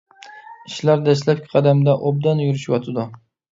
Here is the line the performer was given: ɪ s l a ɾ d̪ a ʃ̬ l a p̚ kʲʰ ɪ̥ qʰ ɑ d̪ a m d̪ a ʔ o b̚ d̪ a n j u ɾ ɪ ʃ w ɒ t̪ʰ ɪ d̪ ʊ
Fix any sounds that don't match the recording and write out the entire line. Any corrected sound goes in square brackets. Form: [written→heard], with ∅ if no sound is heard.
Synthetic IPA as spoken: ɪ [s→ʃ] l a ɾ d̪ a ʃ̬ l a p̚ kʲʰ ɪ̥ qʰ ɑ d̪ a m d̪ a ʔ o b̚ d̪ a n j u ɾ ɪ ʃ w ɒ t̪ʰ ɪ d̪ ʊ

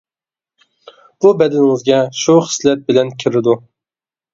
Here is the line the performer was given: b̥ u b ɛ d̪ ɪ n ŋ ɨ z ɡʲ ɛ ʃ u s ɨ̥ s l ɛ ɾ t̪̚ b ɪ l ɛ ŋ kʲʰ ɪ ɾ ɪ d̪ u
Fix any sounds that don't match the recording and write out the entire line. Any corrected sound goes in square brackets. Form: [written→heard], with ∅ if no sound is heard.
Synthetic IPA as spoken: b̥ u b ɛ d̪ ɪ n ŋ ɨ z ɡʲ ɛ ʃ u [s→χ] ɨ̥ s l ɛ [ɾ→∅] t̪̚ b ɪ l ɛ [ŋ→n] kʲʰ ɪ ɾ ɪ d̪ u

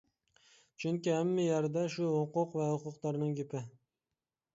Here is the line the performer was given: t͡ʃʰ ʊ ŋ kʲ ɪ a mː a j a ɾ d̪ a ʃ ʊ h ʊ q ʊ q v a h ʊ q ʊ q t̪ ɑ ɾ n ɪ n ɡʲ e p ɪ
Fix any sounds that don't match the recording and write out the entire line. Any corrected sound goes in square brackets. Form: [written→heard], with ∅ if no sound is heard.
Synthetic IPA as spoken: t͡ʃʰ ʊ ŋ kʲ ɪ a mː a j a ɾ d̪ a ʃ ʊ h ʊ q ʊ q v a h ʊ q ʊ q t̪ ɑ ɾ n ɪ [n→ŋ] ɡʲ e p ɪ

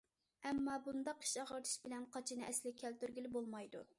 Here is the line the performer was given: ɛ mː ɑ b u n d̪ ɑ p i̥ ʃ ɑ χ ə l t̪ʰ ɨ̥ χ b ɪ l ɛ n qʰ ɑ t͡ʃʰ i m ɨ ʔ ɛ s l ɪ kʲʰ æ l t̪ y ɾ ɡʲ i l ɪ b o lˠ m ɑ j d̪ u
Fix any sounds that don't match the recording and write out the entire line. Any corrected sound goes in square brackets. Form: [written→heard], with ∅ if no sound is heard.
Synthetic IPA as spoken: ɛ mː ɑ b u n d̪ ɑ [p→q] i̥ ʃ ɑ [χ→ʁ] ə [l→ɾ] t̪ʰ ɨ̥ [χ→ʃ] b ɪ l ɛ n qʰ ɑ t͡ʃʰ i [m→n] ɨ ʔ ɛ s l ɪ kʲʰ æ l t̪ y ɾ ɡʲ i l ɪ b o lˠ m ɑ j d̪ u

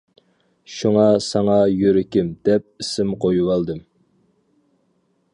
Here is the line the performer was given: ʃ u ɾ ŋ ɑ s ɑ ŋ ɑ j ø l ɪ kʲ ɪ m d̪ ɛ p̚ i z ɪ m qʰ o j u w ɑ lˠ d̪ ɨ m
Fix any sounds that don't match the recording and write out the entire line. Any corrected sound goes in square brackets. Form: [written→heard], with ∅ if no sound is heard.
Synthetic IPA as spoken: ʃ u [ɾ→∅] ŋ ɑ s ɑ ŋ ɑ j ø [l→ɾ] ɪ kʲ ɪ m d̪ ɛ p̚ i [z→s] ɪ m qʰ o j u w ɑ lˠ d̪ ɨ m

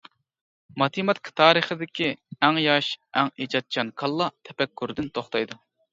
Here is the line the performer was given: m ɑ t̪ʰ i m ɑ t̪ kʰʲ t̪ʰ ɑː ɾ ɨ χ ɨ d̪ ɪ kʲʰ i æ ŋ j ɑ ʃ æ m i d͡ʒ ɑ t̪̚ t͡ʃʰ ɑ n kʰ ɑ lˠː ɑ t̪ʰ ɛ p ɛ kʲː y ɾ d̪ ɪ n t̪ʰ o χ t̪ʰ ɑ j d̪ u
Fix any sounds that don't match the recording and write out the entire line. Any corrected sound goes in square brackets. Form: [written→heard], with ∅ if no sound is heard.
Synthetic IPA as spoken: m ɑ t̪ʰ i m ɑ t̪ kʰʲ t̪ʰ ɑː ɾ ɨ χ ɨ d̪ ɪ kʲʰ i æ ŋ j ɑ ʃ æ [m→ŋ] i d͡ʒ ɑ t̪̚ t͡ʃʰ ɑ n kʰ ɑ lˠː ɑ t̪ʰ ɛ p ɛ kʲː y ɾ d̪ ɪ n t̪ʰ o χ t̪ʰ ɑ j d̪ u

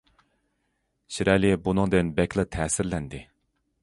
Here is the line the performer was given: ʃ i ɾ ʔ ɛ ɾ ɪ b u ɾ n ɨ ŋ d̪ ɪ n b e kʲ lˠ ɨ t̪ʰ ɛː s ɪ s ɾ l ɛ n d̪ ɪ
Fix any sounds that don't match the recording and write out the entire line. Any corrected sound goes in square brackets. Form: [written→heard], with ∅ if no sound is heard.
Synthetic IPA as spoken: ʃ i ɾ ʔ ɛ [ɾ→l] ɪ b u [ɾ→∅] n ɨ ŋ d̪ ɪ n b [e→ɛ] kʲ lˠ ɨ t̪ʰ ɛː s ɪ [s→∅] ɾ l ɛ n d̪ ɪ

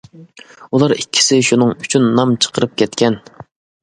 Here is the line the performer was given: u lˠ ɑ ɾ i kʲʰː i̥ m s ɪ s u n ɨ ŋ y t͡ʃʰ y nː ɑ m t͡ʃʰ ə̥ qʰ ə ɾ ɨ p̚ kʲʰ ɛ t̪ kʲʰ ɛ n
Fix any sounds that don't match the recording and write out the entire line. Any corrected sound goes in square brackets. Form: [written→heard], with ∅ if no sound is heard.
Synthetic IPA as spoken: u lˠ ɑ ɾ i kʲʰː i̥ [m→∅] s ɪ [s→ʃ] u n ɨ ŋ y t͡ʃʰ y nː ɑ m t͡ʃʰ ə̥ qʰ ə ɾ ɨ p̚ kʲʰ ɛ t̪ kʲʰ ɛ n

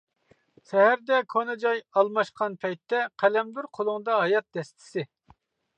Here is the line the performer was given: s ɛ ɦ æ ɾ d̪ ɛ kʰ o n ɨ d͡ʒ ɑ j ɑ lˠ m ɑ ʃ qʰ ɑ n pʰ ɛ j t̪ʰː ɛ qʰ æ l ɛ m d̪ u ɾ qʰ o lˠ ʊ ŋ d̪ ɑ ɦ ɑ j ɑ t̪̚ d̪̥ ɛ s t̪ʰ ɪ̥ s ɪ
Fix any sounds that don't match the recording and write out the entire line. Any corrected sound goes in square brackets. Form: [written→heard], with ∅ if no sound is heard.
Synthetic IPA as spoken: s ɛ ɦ æ ɾ d̪ ɛ kʰ o n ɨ d͡ʒ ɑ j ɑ lˠ m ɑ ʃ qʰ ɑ n pʰ ɛ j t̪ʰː ɛ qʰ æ l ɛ m d̪ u ɾ qʰ o lˠ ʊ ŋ d̪ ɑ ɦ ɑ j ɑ t̪̚ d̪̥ ɛ s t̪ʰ ɪ̥ s ɪ

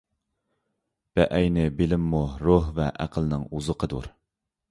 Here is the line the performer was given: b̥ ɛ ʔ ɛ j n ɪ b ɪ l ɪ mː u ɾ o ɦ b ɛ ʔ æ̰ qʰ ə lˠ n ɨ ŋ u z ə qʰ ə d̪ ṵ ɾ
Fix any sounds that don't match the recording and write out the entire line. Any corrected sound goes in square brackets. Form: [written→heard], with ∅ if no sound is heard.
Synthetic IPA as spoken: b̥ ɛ ʔ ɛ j n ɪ b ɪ l ɪ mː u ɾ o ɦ [b→v] ɛ ʔ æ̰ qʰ ə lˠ n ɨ ŋ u z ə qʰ ə d̪ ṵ ɾ

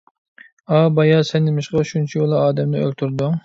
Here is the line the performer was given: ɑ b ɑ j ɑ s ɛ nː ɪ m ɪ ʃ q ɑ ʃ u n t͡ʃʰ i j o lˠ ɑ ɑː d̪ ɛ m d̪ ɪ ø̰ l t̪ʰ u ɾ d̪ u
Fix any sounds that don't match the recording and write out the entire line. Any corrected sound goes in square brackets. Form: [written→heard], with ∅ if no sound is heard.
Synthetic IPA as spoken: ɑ b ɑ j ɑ s ɛ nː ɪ m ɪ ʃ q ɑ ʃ u n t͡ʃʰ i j o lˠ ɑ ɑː d̪ ɛ m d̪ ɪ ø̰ l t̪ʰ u ɾ d̪ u

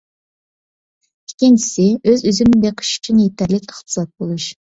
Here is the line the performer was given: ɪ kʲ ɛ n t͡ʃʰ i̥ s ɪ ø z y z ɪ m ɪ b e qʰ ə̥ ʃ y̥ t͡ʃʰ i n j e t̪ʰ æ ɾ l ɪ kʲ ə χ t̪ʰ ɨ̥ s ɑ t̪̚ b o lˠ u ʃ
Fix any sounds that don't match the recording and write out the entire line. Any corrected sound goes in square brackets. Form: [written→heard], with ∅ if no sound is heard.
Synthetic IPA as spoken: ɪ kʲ [ɛ→i] n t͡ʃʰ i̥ s ɪ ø z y z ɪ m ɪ b e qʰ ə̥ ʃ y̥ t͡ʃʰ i n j e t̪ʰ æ ɾ l ɪ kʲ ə χ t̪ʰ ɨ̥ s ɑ t̪̚ b o lˠ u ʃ

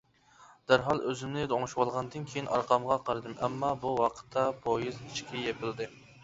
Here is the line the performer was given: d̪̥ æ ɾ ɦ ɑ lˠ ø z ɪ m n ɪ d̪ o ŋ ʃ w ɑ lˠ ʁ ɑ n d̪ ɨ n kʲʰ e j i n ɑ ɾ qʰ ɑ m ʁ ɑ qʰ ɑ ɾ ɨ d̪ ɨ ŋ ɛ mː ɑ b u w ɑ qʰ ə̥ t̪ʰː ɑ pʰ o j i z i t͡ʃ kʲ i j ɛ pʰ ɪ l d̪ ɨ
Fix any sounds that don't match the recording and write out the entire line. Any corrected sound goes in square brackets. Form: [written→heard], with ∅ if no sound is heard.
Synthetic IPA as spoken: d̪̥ æ ɾ ɦ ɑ lˠ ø z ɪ m n ɪ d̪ o ŋ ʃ w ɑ lˠ ʁ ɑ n d̪ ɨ n kʲʰ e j i n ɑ ɾ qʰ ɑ m ʁ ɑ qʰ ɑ ɾ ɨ d̪ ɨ [ŋ→m] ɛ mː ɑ b u w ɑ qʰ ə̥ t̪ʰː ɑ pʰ o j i z i t͡ʃ kʲ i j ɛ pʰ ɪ l d̪ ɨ

